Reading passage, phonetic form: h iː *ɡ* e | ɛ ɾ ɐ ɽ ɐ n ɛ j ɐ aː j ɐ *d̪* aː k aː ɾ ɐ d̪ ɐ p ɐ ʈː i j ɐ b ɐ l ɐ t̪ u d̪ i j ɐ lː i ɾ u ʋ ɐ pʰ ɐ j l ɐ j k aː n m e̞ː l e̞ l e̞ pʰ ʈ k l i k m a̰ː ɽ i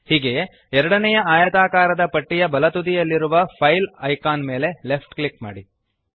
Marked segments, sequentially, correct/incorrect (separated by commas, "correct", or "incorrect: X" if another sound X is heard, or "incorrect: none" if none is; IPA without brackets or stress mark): correct, incorrect: t̪